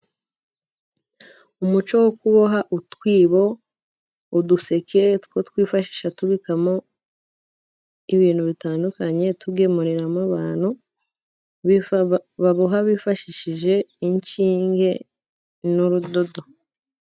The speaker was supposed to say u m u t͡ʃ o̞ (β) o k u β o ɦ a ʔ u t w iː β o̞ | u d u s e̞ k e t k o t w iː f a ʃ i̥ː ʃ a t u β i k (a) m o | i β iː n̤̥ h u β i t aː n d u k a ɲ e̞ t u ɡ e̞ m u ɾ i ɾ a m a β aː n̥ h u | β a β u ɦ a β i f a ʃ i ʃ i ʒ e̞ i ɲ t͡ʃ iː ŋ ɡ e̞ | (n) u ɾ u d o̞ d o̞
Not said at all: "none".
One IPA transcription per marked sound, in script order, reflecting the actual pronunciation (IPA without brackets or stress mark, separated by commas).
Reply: w, a, n